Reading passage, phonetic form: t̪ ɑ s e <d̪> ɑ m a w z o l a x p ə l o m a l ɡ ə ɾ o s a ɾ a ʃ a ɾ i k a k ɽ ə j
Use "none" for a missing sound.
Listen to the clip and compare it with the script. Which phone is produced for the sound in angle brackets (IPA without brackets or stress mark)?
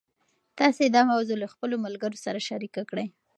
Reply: d̪